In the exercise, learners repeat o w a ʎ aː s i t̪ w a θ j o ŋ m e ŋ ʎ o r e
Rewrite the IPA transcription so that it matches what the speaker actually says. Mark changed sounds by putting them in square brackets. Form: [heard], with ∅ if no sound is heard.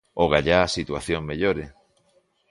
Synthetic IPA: o [ɣ] a ʎ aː s i t̪ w a θ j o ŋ m e [∅] ʎ o [ɾ] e